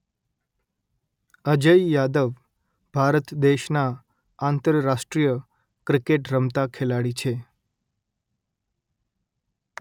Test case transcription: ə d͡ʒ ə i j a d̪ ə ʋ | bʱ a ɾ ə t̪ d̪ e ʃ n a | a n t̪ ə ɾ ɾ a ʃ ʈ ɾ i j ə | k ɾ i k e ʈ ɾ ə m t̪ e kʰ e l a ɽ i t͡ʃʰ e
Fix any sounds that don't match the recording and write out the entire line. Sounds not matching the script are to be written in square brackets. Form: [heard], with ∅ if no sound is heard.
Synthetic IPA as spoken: ə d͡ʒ ə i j a d̪ ə ʋ | bʱ a ɾ ə t̪ d̪ e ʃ n a | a n t̪ ə ɾ ɾ a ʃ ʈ ɾ i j ə | k ɾ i k e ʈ ɾ ə m t̪ [a] kʰ e l a ɽ i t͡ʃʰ e